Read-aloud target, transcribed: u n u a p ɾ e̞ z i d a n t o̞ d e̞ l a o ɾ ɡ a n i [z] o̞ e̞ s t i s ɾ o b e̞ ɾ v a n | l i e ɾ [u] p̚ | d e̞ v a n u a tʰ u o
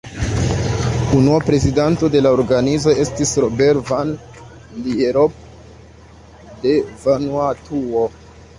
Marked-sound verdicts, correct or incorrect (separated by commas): correct, incorrect